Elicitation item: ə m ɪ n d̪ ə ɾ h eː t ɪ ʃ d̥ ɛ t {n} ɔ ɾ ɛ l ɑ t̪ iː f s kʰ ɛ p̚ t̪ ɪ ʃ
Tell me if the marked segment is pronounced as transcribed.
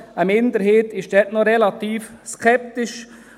yes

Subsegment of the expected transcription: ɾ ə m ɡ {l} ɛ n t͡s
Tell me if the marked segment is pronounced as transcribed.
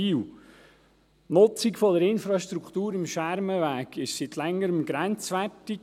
no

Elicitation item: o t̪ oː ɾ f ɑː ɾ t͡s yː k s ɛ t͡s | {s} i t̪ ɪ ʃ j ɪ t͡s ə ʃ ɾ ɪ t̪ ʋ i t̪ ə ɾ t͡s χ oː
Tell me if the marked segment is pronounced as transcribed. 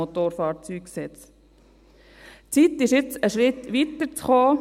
no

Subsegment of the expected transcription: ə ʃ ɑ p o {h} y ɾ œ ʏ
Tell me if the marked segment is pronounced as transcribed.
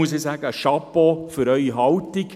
no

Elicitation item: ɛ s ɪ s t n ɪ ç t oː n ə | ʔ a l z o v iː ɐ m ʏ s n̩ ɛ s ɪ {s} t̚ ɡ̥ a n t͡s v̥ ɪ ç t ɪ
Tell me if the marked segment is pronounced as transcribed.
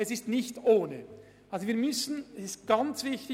yes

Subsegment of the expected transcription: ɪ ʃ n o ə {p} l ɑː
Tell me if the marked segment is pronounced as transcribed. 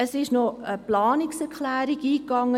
yes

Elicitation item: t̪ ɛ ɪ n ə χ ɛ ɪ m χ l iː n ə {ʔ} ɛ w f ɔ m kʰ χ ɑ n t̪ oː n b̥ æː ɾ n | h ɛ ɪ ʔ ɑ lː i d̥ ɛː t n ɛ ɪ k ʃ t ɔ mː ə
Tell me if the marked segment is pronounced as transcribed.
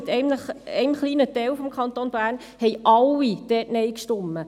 no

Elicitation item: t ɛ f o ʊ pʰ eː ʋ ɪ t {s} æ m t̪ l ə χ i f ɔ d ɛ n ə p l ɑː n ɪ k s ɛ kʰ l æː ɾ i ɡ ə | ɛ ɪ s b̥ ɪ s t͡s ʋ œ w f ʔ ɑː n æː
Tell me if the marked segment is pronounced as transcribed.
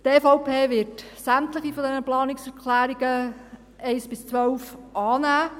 yes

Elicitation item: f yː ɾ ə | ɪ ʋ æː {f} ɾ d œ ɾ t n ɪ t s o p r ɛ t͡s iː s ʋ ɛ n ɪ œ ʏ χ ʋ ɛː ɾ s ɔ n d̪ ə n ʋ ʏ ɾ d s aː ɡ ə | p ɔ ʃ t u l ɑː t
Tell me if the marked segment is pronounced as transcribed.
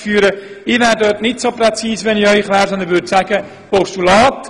no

